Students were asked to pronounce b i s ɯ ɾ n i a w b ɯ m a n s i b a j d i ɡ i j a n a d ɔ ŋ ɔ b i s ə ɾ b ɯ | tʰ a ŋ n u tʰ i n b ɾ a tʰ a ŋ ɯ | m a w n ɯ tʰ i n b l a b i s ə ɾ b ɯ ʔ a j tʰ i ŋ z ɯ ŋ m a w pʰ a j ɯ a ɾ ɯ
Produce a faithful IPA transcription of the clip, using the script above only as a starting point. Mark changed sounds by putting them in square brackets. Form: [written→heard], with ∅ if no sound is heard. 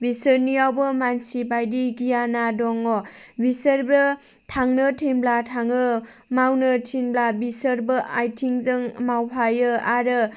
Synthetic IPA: b i s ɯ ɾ n i a w b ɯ m a n s i b a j d i ɡ i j a n a d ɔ ŋ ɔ b i s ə ɾ b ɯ | tʰ a ŋ n [u→ɯ] tʰ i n b [ɾ→l] a tʰ a ŋ ɯ | m a w n ɯ tʰ i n b l a b i s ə ɾ b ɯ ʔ a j tʰ i ŋ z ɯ ŋ m a w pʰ a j ɯ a ɾ ɯ